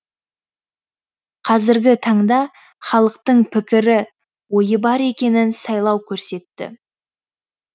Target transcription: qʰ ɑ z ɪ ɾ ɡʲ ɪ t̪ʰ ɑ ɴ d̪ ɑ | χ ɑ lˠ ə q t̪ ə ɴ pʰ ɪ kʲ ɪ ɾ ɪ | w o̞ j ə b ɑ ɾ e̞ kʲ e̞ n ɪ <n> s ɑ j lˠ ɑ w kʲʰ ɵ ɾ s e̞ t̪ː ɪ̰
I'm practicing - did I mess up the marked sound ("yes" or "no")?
no